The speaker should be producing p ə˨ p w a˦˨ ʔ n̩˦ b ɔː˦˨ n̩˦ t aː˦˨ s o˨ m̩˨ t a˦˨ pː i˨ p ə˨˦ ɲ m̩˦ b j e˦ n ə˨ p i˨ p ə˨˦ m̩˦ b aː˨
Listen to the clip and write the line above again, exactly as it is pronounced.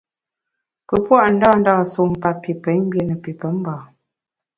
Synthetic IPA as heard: p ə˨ p w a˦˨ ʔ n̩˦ d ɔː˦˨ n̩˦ d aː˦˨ s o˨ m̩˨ p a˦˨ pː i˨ p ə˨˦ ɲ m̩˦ b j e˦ n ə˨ p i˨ p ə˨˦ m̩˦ b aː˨